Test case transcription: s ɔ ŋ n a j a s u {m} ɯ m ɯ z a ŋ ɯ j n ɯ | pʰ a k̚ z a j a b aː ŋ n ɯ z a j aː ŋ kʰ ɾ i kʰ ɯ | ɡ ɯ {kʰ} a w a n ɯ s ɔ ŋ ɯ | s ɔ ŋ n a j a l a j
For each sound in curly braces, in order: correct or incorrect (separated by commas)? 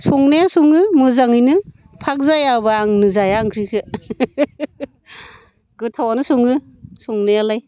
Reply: incorrect, incorrect